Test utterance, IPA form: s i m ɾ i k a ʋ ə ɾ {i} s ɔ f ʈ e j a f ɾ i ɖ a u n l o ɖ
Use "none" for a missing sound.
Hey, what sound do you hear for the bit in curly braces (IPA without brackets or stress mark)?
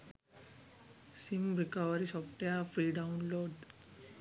i